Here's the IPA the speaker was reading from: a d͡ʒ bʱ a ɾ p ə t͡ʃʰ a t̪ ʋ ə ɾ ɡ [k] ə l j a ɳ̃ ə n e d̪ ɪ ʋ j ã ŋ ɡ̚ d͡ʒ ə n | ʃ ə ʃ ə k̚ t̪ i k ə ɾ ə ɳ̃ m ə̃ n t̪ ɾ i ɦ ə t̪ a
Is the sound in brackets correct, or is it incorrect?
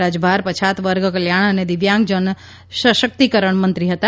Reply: correct